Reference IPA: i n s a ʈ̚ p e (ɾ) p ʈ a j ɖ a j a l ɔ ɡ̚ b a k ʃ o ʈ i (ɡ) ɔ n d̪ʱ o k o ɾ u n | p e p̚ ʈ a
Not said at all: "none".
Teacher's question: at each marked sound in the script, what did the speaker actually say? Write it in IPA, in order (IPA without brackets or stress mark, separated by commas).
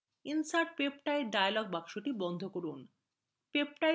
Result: none, b